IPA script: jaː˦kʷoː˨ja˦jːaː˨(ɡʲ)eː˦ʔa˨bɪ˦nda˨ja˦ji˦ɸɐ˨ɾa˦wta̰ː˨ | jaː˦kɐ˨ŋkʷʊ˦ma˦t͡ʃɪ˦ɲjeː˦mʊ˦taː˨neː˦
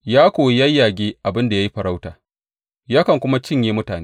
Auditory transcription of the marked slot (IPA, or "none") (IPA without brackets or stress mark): ɡʲ